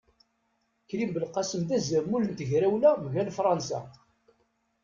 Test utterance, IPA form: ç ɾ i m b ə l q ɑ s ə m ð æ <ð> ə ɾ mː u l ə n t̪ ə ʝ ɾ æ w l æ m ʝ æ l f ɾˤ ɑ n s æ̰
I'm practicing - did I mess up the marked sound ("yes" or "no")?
yes